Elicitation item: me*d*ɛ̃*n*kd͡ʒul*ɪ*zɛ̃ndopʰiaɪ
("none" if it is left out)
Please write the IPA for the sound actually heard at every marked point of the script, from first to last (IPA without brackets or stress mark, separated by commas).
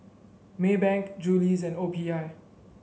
b, ŋ, i